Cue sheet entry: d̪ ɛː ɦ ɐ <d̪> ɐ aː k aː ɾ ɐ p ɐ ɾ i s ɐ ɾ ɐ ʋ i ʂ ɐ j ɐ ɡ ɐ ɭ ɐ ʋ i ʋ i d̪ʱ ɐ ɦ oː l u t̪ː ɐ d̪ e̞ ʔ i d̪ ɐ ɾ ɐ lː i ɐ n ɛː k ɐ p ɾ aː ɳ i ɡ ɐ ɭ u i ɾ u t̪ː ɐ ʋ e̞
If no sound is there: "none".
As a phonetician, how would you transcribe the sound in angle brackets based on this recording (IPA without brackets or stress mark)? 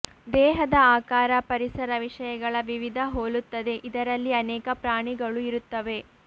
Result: d̪